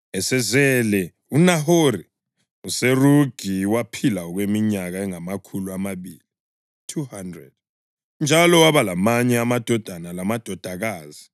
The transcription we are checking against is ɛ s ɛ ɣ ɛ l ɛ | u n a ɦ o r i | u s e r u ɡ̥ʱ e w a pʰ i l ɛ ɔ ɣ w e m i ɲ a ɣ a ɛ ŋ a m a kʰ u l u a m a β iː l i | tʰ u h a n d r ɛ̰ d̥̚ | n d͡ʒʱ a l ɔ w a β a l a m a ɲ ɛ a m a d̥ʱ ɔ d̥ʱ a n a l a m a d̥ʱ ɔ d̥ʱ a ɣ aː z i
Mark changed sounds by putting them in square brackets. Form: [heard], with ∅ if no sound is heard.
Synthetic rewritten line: ɛ s ɛ [z] ɛ l ɛ | u n a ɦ o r i | u s e r u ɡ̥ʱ [i] w a pʰ i l [a] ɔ ɣ w e m i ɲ a ɣ a ɛ ŋ a m a kʰ u l u a m a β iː l i | tʰ u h a n d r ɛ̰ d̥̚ | n d͡ʒʱ a l ɔ w a β a l a m a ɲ ɛ a m a d̥ʱ ɔ d̥ʱ a n a l a m a d̥ʱ ɔ d̥ʱ a ɣ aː z i